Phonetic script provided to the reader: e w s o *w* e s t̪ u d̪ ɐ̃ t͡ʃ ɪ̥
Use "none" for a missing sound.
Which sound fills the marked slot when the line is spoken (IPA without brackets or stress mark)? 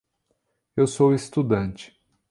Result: w